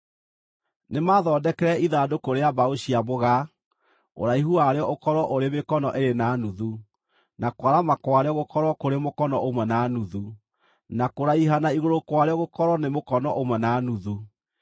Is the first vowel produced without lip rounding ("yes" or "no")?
yes